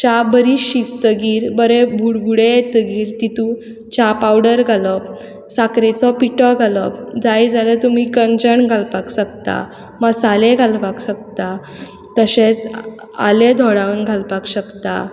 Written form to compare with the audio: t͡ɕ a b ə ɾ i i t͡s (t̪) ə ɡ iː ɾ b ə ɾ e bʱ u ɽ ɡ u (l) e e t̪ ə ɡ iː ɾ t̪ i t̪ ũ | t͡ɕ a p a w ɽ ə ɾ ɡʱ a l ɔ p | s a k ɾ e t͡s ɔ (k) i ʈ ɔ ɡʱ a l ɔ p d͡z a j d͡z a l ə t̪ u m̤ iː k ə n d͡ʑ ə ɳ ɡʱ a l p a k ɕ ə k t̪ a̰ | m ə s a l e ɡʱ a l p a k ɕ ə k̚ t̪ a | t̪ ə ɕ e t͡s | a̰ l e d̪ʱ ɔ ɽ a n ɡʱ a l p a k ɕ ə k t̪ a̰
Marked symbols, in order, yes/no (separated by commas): yes, no, no